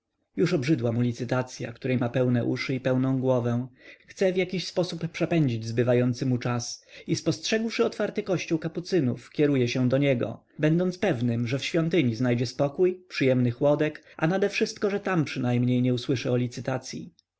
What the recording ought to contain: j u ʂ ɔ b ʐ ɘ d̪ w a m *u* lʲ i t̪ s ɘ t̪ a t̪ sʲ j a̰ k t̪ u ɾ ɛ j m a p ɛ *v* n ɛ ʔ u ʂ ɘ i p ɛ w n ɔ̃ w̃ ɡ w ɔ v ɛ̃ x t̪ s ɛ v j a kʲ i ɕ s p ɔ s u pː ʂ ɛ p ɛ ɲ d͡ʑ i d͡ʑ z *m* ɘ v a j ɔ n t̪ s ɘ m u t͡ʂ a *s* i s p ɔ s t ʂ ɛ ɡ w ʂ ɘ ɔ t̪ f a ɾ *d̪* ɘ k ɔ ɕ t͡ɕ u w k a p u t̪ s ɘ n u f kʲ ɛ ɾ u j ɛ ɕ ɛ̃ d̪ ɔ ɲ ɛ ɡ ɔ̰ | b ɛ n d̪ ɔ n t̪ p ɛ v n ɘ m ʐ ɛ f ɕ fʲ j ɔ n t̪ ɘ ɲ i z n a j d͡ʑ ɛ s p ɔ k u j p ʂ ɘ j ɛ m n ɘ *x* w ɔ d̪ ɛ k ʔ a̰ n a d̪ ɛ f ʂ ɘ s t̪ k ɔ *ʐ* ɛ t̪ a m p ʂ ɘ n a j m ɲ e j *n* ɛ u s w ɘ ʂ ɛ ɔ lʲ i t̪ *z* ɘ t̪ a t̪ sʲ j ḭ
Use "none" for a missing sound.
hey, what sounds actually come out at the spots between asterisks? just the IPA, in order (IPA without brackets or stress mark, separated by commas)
u, w, b, s, t̪, x, ʐ, ɲ, s